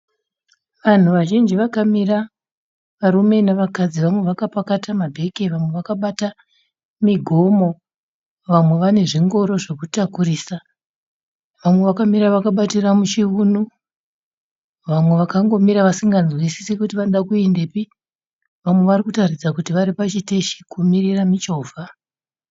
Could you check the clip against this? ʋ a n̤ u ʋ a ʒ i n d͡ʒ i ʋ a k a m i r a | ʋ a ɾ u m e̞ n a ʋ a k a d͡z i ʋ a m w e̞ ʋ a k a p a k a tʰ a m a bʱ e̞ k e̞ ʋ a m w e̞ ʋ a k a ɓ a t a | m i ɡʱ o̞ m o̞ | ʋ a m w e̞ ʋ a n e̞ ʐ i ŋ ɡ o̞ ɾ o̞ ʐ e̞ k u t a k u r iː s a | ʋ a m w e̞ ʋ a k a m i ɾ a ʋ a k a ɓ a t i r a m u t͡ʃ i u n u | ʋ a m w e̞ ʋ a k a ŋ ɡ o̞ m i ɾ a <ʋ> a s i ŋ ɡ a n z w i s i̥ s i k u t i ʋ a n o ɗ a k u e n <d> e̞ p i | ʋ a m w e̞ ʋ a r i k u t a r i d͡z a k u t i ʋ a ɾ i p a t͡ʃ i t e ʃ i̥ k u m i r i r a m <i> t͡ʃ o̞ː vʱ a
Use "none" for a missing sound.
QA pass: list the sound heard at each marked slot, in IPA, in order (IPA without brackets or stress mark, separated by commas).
ʋ, d, i